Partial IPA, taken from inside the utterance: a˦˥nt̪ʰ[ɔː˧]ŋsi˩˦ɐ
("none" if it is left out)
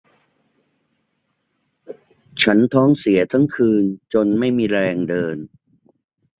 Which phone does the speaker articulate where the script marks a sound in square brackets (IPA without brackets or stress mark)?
ɔː˦˥